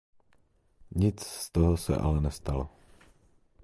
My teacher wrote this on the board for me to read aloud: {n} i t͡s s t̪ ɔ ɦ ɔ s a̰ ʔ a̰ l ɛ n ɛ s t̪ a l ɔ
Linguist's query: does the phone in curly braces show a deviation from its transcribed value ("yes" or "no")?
yes